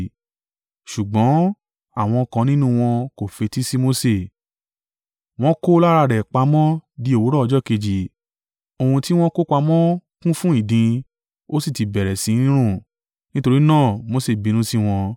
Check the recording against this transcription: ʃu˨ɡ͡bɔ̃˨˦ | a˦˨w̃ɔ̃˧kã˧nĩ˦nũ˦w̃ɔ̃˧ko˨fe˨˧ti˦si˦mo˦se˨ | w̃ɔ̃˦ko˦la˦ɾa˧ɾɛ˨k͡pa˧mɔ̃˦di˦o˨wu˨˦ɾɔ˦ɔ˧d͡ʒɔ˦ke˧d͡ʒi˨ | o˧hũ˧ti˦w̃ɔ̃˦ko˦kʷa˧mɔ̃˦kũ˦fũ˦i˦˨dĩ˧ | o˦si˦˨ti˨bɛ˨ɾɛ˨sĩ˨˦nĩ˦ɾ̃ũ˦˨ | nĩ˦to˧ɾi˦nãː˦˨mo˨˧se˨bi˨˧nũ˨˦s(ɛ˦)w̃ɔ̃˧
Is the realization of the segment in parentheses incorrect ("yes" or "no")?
yes